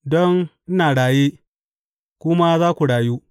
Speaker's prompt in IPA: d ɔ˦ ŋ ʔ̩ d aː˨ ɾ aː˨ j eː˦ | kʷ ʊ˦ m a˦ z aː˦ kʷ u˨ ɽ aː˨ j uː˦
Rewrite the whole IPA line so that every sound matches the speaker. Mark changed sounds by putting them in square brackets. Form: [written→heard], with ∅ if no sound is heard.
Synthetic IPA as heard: d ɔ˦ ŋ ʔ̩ [d→n] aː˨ [ɾ→ɽ] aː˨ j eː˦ | kʷ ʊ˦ m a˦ z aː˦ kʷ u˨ ɽ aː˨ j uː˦